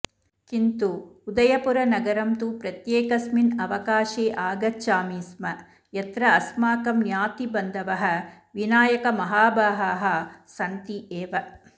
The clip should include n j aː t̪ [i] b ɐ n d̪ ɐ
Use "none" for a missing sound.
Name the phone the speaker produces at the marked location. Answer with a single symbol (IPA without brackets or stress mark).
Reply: i